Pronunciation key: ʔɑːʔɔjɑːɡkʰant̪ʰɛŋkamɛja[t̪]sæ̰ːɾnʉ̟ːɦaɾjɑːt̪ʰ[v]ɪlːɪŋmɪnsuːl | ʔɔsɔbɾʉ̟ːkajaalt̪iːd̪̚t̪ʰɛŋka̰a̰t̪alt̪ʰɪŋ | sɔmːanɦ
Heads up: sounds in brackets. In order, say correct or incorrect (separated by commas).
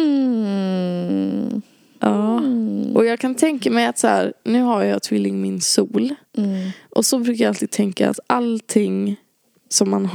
correct, correct